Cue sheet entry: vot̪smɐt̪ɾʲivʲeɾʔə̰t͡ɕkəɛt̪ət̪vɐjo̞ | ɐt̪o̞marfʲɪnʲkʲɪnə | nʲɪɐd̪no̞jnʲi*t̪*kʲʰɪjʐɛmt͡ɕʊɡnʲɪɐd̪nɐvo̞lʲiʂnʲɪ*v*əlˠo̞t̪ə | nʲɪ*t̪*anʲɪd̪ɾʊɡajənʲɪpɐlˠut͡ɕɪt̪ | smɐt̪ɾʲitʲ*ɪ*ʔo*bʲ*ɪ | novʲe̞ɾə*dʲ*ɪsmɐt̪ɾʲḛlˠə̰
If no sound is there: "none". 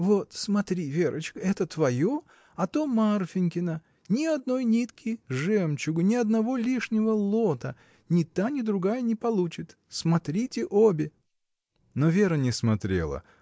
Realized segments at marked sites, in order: t̪, v, t̪, ɪ, bʲ, nʲ

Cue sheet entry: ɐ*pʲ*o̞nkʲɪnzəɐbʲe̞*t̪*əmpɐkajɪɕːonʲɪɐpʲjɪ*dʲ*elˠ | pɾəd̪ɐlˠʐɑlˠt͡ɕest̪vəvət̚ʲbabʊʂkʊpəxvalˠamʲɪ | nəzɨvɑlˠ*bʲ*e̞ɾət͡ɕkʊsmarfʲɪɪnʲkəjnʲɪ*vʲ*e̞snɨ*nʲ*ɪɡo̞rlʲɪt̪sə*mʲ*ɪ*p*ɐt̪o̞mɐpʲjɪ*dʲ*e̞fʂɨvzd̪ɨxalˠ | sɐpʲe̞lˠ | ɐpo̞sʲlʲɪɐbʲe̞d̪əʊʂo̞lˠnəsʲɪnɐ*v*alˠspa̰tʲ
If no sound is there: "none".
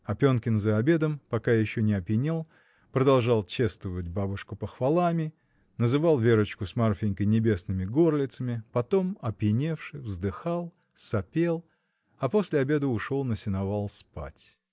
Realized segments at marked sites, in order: pʲ, d̪, nʲ, vʲ, bʲ, mʲ, mʲ, p, nʲ, v

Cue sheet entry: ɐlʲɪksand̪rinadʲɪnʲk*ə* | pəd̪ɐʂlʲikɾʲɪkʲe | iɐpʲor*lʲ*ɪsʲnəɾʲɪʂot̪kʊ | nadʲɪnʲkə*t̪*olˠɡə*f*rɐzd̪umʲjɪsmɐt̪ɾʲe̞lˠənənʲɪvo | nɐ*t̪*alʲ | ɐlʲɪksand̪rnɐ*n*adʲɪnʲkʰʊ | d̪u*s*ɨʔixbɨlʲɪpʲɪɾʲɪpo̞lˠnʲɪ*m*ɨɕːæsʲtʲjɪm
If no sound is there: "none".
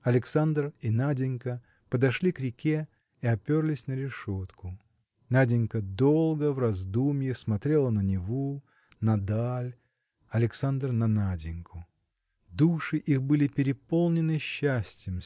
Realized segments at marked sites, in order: ə, lʲ, d̪, v, d̪, n, ʂ, n

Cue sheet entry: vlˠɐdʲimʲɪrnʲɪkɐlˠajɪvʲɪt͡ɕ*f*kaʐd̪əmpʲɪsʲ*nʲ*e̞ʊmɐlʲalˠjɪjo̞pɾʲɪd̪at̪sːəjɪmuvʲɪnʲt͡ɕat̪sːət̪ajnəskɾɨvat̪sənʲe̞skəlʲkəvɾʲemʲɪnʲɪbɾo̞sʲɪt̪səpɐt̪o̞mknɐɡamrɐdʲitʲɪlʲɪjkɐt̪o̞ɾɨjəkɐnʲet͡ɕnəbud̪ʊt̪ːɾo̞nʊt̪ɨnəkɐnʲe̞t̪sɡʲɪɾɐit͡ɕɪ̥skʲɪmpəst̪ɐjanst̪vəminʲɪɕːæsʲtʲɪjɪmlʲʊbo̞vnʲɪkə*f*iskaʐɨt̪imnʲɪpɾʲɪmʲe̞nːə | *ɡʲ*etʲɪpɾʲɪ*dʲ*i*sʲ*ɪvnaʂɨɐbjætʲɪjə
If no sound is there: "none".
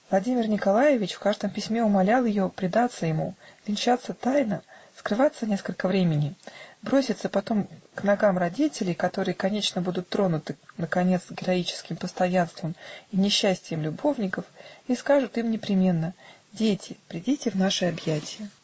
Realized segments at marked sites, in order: f, mʲ, f, dʲ, dʲ, tʲ

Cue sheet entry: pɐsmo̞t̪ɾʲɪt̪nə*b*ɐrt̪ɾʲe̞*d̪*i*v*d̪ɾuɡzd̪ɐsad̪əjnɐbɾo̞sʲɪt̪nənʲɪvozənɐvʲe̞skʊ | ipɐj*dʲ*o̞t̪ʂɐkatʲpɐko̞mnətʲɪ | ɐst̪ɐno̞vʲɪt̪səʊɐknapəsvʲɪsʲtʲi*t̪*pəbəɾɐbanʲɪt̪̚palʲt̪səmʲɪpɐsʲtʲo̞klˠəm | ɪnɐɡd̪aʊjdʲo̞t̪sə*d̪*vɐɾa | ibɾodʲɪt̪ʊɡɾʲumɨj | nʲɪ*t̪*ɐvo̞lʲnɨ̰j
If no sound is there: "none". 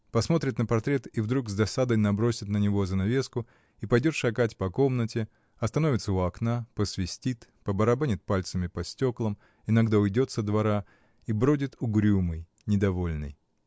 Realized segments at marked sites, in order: p, t̪, v, dʲ, t̪, d̪, d̪

